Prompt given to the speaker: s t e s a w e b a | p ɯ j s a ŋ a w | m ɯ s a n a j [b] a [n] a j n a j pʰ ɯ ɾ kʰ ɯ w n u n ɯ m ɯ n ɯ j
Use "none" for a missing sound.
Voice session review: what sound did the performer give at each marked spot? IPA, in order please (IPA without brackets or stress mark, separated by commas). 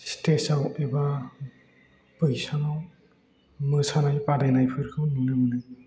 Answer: p, d